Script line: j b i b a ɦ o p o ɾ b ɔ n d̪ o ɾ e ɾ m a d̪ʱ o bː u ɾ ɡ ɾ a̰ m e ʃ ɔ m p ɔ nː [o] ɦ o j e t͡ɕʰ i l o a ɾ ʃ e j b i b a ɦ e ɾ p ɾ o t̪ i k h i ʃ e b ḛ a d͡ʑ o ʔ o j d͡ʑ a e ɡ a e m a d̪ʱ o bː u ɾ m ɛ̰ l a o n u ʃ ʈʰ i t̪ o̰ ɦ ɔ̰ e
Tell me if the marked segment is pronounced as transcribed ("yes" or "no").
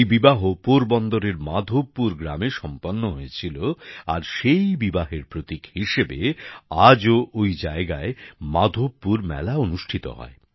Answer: yes